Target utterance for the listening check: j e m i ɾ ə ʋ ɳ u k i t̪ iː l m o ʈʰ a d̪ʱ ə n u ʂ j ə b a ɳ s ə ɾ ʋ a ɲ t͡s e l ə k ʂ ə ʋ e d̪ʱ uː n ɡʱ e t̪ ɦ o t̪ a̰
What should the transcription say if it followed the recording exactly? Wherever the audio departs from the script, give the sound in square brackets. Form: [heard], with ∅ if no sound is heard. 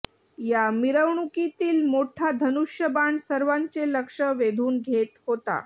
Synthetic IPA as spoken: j [a] m i ɾ ə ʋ ɳ u k i t̪ iː l m o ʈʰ a d̪ʱ ə n u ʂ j ə b a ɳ s ə ɾ ʋ a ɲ t͡s e l ə k ʂ ə ʋ e d̪ʱ uː n ɡʱ e t̪ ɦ o t̪ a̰